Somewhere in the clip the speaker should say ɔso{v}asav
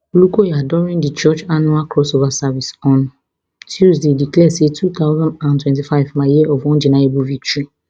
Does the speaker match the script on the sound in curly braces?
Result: yes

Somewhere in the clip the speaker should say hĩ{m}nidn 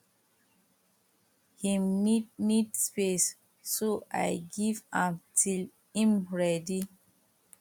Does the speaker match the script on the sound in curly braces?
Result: yes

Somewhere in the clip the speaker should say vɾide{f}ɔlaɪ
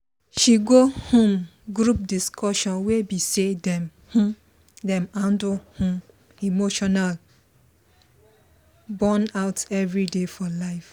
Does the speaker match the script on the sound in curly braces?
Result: yes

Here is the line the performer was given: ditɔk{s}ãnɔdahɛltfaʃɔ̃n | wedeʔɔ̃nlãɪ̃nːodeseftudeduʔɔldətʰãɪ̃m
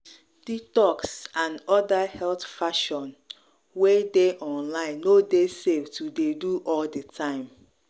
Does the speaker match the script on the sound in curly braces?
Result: yes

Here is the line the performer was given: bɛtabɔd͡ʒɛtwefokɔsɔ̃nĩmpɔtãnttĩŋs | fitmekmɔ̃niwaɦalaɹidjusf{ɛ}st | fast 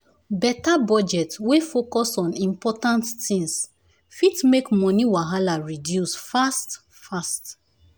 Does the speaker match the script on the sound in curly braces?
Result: no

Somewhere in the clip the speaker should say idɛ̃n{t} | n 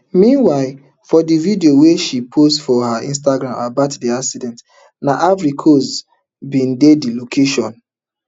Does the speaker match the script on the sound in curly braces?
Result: yes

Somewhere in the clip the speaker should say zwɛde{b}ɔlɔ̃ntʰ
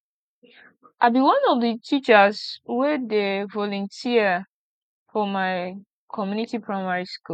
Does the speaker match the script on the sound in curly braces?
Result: no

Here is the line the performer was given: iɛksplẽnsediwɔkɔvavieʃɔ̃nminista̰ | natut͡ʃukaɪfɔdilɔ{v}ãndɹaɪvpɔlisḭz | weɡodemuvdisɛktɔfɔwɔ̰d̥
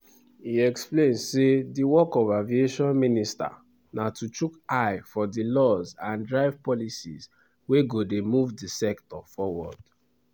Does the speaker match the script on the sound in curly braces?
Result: no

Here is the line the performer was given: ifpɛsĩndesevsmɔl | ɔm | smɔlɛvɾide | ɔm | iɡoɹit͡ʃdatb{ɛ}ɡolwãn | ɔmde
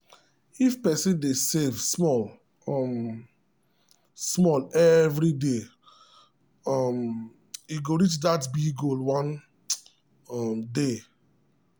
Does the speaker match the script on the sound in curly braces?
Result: no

